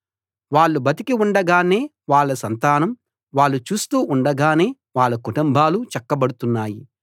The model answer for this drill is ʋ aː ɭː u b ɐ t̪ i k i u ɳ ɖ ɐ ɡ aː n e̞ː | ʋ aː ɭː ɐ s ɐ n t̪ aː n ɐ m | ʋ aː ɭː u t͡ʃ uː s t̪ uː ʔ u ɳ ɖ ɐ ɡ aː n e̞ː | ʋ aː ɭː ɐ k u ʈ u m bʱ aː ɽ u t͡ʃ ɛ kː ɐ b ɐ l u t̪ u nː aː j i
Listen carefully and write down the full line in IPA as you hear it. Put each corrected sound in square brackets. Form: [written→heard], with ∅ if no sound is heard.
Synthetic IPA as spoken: ʋ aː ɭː u b ɐ t̪ i k i u ɳ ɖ ɐ ɡ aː n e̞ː | ʋ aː ɭː ɐ s ɐ n t̪ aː n ɐ m | ʋ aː ɭː u t͡ʃ uː s t̪ uː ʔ u ɳ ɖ ɐ ɡ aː n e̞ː | ʋ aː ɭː ɐ k u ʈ u m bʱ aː [ɽ→l] u t͡ʃ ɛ kː ɐ b ɐ [l→ɽ] u t̪ u nː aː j i